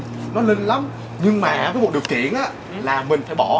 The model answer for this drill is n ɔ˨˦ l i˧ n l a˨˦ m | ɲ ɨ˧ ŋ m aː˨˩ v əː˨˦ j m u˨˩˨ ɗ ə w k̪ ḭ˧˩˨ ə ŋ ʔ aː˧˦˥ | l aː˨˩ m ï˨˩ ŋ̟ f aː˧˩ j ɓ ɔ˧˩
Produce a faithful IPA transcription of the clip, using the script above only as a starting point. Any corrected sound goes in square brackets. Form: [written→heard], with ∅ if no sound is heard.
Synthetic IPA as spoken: n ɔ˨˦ l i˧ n l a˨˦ m | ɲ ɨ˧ ŋ m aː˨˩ v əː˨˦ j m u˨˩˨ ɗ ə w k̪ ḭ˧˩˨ ə [ŋ→n] ʔ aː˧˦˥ | l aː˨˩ m ï˨˩ ŋ̟ f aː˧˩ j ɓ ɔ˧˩